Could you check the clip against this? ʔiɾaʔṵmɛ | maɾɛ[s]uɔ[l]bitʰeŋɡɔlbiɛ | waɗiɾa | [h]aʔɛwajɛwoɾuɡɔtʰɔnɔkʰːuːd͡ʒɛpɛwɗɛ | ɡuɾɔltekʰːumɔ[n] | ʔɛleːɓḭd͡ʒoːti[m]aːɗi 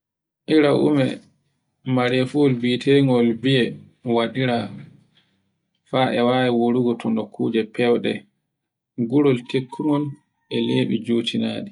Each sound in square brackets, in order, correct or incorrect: incorrect: f, correct, incorrect: f, correct, incorrect: n

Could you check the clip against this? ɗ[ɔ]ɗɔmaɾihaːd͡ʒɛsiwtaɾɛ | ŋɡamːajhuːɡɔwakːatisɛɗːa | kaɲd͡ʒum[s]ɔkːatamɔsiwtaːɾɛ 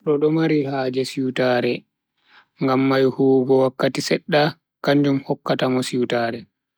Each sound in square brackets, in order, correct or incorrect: correct, incorrect: h

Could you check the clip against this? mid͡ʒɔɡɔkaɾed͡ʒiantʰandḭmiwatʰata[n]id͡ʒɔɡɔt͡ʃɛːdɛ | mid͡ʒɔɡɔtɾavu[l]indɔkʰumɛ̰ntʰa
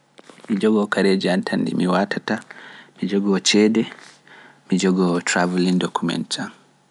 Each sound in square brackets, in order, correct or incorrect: incorrect: m, correct

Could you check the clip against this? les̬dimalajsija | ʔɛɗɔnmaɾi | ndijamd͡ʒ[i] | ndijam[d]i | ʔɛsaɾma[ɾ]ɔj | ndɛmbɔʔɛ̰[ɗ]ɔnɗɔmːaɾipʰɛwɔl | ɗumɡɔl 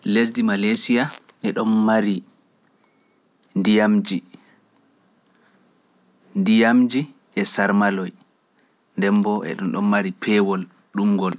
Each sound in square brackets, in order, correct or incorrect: correct, incorrect: d͡ʒ, incorrect: l, correct

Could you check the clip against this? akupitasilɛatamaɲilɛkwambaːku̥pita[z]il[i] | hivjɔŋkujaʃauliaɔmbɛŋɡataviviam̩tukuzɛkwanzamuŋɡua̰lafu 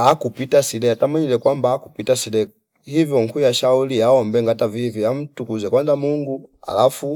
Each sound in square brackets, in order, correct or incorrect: incorrect: s, incorrect: ɛ

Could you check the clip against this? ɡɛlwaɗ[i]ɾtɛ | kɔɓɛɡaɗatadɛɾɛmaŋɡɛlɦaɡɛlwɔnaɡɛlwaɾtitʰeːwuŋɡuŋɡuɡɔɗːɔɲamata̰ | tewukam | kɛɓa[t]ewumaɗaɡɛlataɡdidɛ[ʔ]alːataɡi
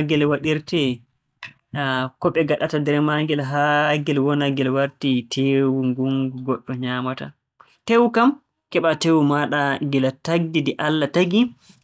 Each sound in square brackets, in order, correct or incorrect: correct, correct, correct

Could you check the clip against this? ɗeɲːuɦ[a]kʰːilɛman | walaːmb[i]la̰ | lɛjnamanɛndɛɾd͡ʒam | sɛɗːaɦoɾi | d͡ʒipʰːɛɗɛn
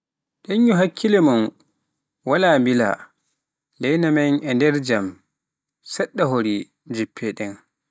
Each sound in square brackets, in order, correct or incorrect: correct, correct

